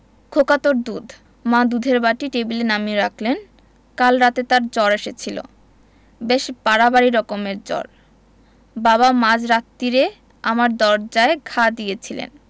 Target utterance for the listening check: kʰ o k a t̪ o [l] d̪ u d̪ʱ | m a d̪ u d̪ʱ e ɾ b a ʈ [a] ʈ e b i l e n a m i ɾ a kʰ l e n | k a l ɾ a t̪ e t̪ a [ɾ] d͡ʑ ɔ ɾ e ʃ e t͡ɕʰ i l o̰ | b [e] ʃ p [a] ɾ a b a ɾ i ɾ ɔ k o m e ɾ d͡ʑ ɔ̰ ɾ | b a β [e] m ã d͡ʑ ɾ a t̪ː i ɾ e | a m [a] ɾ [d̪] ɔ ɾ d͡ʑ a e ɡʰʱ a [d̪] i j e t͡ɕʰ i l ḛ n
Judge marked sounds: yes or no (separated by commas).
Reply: no, no, yes, yes, yes, no, yes, yes, yes